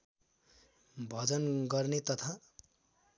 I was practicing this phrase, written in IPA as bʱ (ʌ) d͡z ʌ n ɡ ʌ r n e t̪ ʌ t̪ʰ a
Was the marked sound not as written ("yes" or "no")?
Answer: no